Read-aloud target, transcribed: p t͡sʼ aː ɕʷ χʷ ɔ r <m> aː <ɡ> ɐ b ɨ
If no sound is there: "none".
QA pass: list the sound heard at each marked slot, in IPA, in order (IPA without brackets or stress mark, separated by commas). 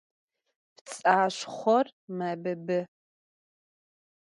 m, b